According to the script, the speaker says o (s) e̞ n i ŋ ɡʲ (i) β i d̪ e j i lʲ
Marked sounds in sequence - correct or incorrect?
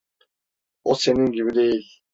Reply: correct, correct

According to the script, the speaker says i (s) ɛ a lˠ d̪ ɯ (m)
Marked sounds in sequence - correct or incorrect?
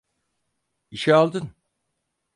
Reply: incorrect, incorrect

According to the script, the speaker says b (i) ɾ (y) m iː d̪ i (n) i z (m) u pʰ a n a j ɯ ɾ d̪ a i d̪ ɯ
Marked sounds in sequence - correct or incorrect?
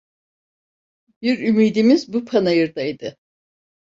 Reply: correct, correct, incorrect, incorrect

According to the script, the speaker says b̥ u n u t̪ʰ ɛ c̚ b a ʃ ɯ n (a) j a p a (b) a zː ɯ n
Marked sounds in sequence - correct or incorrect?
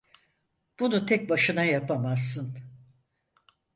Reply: correct, incorrect

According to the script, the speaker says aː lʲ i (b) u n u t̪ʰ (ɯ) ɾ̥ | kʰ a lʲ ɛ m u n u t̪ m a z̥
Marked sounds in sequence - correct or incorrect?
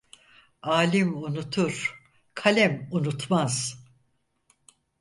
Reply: incorrect, incorrect

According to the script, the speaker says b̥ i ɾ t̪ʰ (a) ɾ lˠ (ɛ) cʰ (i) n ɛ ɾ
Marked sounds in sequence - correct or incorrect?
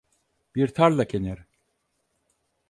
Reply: correct, incorrect, incorrect

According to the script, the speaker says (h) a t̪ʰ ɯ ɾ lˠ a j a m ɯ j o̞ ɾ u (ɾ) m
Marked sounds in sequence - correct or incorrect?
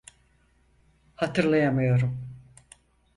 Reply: correct, incorrect

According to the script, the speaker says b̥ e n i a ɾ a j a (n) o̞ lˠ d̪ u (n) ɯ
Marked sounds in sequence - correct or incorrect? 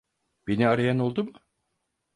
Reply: correct, incorrect

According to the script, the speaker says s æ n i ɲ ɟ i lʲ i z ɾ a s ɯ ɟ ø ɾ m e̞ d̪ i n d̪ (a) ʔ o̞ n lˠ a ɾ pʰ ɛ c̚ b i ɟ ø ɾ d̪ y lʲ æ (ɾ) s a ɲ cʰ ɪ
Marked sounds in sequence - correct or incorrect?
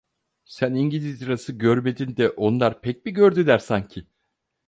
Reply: incorrect, correct

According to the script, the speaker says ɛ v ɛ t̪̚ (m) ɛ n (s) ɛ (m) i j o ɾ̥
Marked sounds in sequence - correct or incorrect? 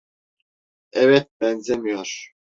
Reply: incorrect, incorrect, correct

